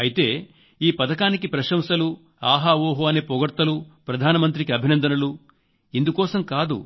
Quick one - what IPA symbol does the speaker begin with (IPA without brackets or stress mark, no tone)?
ɐ